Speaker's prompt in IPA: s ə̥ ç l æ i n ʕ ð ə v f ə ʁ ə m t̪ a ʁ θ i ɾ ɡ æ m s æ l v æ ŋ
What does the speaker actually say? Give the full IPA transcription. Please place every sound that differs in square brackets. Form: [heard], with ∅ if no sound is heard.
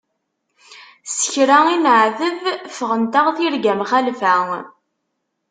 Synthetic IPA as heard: s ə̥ ç [ɾ] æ i n ʕ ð ə v f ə ʁ ə [n] t̪ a ʁ θ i ɾ ɡ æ m [χ] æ l [f] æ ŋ